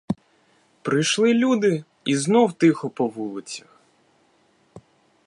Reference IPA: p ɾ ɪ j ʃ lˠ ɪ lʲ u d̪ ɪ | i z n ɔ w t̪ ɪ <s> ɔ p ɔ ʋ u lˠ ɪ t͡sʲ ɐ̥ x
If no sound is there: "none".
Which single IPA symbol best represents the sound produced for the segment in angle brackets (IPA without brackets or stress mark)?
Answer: x